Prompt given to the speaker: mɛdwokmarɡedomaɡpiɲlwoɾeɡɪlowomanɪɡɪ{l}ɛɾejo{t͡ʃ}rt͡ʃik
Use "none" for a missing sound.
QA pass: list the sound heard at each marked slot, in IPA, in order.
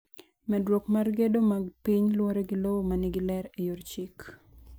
l, none

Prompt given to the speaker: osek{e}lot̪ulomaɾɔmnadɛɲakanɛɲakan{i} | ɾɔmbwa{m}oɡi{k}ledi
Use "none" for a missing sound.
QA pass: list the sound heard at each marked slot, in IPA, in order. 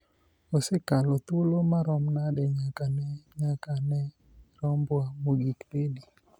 a, ɛ, m, k

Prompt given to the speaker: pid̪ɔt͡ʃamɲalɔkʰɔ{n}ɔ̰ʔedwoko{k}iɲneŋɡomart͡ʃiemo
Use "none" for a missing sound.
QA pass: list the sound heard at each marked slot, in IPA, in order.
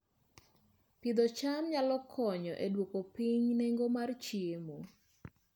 ɲ, p

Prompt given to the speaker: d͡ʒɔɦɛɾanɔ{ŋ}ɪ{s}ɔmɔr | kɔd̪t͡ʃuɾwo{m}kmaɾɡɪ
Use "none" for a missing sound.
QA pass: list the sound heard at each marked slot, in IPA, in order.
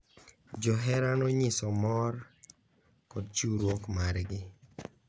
ɲ, s, none

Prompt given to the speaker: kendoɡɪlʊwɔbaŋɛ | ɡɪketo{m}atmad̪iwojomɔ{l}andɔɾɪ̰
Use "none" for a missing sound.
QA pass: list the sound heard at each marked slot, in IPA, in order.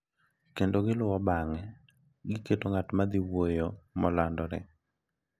ŋ, l

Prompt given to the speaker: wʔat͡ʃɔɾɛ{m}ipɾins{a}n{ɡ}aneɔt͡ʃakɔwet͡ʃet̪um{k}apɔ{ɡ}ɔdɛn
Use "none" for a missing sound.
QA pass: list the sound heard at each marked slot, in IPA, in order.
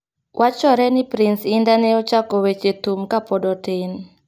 n, i, d, k, d

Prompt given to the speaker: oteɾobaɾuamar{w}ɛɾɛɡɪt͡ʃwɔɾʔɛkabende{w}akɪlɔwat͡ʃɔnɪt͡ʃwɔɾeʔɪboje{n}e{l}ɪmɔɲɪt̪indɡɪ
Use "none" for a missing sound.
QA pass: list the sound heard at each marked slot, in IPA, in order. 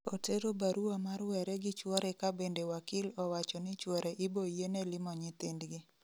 w, w, n, l

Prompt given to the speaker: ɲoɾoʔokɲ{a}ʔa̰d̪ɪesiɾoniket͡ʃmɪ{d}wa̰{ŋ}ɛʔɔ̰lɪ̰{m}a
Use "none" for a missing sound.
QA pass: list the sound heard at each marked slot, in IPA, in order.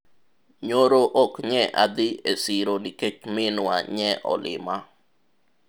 ɛ, n, ɲ, m

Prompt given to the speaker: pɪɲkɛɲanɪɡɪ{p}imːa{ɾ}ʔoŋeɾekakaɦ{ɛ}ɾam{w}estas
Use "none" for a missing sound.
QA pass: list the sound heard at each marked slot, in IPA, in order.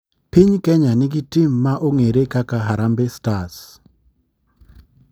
t, none, a, b

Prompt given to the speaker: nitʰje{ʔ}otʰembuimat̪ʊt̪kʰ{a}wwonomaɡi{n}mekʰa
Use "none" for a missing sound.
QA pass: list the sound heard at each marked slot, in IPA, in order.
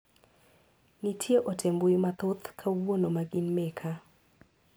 ʔ, a, n

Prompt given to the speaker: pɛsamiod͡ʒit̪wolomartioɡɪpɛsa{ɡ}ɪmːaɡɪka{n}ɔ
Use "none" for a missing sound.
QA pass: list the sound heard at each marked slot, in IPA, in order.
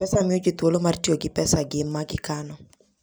ɡ, n

